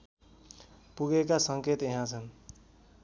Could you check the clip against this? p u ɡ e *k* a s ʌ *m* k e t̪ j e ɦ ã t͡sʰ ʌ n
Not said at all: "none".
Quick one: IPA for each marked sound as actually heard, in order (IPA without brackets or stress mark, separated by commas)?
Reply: k, ŋ